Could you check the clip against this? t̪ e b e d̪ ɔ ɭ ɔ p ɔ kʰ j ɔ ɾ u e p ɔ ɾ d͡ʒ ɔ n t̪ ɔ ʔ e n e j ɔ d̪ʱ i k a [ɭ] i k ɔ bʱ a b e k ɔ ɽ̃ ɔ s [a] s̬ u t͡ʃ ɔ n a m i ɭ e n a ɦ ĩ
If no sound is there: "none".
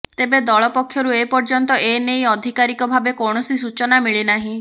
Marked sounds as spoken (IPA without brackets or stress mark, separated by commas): ɾ, i